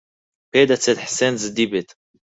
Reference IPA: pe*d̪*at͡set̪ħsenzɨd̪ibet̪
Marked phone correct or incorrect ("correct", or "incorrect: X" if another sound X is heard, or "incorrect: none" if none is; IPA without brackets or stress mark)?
correct